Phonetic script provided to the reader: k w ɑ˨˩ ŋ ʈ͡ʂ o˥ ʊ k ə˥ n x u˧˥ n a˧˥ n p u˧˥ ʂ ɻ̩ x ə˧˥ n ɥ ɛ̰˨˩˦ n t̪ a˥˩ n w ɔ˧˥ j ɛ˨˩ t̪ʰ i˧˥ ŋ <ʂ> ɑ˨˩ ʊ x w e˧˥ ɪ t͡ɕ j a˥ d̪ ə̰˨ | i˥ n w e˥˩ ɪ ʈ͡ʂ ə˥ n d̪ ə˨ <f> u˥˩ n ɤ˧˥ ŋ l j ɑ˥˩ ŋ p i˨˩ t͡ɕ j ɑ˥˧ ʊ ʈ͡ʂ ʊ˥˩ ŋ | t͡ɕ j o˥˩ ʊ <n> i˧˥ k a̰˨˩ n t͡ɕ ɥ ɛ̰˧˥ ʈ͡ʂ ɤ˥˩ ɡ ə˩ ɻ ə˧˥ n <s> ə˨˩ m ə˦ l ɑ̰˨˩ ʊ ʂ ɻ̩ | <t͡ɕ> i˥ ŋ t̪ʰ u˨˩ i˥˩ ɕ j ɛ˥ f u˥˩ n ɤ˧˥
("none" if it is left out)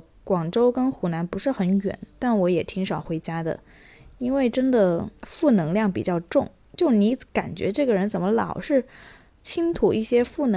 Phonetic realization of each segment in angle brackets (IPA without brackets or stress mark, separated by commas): ʂ, f, n, t͡s, t͡ɕʰ